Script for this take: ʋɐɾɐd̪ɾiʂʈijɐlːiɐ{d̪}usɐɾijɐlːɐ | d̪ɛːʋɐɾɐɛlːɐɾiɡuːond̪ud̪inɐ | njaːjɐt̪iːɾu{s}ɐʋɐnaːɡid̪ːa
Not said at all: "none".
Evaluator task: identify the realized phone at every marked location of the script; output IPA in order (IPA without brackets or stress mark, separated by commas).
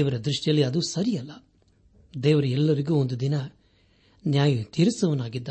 d̪, s